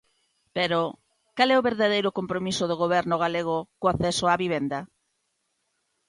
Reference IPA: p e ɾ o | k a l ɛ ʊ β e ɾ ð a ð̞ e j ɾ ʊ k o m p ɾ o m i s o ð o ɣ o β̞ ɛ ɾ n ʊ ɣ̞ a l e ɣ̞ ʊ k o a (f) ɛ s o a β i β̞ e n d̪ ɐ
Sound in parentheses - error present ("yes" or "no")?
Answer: yes